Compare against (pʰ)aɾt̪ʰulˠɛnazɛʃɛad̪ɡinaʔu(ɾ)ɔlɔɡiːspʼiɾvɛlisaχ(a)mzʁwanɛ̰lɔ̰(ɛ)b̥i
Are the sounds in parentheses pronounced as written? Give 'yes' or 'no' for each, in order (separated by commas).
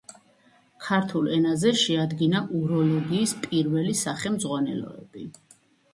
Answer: no, yes, no, yes